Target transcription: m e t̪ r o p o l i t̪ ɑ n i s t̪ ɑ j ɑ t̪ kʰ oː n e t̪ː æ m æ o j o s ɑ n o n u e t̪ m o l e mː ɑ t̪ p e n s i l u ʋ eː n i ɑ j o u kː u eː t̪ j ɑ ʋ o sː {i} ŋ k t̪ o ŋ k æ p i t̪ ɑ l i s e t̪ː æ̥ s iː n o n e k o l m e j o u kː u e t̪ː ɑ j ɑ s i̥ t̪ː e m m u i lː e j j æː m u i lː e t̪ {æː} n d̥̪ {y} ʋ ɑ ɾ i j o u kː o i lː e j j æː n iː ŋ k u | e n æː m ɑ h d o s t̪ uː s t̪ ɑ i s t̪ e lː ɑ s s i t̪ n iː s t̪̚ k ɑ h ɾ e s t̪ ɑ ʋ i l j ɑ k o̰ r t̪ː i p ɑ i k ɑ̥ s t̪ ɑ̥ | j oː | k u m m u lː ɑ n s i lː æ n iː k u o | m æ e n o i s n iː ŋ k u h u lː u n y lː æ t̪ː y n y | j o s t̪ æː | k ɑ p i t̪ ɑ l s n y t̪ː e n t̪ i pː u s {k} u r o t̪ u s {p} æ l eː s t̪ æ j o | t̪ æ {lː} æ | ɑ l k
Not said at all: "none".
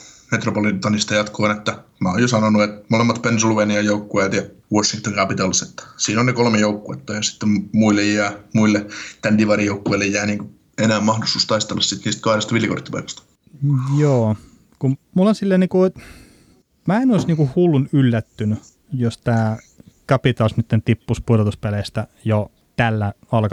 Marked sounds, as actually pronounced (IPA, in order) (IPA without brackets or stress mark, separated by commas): i, æ, i, p, p, lː